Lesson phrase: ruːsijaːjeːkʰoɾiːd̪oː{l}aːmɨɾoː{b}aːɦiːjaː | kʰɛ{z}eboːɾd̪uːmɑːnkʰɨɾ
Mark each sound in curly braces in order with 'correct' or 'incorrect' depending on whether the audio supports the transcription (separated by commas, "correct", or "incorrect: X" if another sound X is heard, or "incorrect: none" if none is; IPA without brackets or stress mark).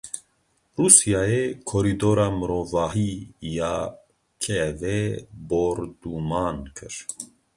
incorrect: ɾ, incorrect: v, incorrect: v